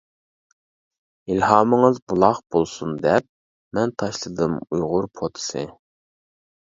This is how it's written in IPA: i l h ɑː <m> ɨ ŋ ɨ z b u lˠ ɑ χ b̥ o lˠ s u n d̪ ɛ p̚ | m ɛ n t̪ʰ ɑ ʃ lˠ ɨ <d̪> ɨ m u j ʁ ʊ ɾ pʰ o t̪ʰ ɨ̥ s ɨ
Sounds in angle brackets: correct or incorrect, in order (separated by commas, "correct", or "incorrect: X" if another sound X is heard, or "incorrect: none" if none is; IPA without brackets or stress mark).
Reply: correct, correct